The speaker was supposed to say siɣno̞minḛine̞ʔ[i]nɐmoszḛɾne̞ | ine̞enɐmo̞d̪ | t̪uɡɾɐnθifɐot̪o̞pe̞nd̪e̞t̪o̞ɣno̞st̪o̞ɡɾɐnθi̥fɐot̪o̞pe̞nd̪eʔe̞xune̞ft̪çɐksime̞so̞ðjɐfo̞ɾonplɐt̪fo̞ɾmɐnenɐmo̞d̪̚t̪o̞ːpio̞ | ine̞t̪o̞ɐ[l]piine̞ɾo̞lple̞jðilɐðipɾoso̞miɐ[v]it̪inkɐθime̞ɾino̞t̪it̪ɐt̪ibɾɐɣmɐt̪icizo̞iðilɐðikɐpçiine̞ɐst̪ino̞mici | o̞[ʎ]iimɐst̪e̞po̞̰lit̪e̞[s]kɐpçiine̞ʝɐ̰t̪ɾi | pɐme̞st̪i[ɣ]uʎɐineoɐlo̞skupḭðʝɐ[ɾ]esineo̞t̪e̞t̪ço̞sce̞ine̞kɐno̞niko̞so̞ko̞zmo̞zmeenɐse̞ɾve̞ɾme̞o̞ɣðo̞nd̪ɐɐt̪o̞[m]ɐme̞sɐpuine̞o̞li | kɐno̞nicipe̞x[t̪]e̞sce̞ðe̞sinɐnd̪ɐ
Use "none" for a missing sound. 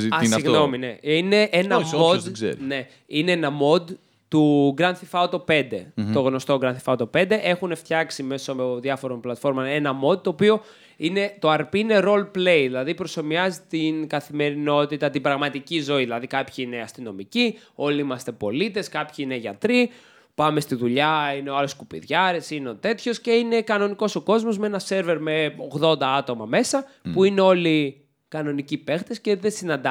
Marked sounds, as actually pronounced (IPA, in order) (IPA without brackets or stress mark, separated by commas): e, ɾ, z, l, s, ð, ɾ, m, t̪